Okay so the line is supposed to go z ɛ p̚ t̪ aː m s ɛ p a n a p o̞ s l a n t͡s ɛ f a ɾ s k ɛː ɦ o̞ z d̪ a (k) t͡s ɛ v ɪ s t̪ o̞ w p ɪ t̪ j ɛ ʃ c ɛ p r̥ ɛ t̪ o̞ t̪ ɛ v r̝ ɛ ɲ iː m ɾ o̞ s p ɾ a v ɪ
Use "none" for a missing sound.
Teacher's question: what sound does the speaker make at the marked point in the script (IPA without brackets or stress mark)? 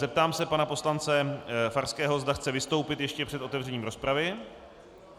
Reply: x